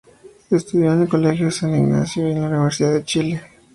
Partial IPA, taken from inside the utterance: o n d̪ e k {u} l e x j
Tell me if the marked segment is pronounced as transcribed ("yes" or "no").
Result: no